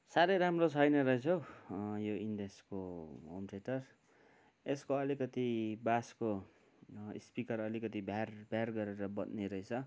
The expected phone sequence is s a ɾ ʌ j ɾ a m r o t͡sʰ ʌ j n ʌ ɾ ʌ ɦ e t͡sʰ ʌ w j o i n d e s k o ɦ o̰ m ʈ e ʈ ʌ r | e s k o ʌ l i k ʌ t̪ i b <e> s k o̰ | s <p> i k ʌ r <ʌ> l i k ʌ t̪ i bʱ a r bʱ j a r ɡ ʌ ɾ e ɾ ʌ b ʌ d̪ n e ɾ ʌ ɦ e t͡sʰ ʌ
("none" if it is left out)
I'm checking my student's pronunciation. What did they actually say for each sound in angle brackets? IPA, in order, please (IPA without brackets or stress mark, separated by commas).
a, p, ʌ